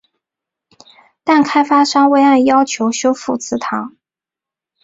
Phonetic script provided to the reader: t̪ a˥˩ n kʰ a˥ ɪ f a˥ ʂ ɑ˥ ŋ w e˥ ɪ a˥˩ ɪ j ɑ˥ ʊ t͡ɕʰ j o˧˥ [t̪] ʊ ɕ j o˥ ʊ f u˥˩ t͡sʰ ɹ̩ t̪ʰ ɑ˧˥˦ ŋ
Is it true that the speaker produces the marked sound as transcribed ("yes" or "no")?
no